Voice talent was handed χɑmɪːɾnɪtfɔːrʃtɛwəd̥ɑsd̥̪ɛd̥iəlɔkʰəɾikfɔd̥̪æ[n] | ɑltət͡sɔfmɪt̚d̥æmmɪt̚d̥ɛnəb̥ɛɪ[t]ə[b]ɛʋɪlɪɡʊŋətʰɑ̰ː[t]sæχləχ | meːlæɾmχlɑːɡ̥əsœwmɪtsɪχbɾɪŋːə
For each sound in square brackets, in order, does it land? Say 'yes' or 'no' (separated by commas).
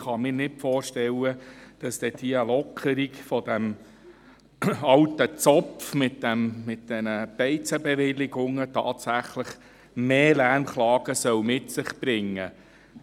no, no, yes, yes